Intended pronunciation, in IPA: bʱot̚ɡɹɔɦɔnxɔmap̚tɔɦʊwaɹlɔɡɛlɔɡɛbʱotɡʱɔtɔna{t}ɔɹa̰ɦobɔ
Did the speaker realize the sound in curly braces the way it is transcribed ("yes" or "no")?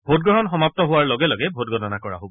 no